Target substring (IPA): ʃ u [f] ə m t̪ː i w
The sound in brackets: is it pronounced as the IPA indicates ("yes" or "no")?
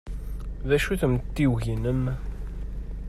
no